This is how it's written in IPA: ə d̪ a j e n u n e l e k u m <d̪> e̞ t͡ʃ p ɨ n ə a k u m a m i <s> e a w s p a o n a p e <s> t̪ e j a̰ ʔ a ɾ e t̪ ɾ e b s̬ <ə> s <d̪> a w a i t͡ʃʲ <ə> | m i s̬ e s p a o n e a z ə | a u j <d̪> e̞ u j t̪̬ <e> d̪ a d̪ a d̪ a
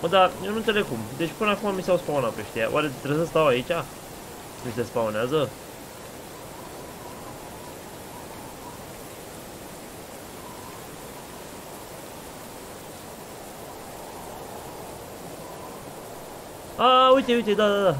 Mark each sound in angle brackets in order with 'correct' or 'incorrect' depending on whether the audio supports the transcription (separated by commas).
correct, correct, incorrect, correct, incorrect, incorrect, incorrect, correct